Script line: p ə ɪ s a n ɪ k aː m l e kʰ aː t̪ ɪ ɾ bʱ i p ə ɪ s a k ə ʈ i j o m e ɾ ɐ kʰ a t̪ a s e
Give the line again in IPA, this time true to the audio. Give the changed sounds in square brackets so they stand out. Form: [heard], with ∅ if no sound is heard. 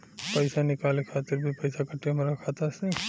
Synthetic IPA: p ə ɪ s a n ɪ k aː [∅] l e kʰ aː t̪ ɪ ɾ bʱ i p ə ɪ s a k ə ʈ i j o m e ɾ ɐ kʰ a t̪ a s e